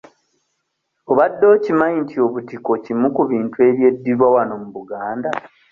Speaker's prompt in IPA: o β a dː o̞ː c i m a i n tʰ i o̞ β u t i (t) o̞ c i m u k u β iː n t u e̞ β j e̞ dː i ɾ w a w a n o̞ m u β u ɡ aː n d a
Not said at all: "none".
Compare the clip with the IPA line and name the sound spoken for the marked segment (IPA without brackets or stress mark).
k